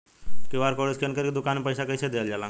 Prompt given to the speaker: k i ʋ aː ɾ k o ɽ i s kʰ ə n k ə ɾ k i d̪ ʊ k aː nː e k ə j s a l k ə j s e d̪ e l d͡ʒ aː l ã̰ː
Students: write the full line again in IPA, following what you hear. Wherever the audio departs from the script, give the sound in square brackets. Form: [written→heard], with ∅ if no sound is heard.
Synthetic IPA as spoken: k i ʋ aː ɾ k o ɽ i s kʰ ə n k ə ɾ k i d̪ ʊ k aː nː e [k→p] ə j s a [l→∅] k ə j s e d̪ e l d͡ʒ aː l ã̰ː